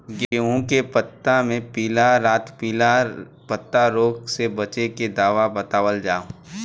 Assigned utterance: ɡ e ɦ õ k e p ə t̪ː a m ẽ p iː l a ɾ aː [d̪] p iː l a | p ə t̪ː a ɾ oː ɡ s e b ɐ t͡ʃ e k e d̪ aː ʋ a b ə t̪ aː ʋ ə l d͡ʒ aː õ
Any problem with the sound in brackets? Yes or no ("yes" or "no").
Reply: yes